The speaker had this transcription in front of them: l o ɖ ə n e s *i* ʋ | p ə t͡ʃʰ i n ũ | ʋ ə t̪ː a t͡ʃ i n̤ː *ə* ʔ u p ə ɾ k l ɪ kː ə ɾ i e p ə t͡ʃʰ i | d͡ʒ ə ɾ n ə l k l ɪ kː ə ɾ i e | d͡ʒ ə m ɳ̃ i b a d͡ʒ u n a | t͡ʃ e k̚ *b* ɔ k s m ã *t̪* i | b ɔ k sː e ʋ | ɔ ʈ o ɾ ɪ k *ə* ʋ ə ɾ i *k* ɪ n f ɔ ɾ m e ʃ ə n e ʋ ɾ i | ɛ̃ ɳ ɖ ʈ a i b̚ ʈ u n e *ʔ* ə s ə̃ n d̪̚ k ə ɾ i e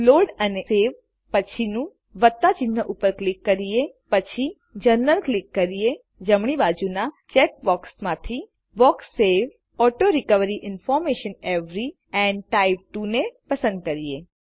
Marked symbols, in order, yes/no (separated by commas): no, yes, yes, no, yes, no, no